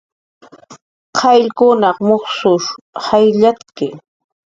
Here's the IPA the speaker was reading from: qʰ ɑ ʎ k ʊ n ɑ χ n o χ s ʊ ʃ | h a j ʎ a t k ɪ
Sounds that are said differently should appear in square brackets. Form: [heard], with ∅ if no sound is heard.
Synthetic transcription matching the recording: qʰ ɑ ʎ k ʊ n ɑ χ [m] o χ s ʊ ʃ | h a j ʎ a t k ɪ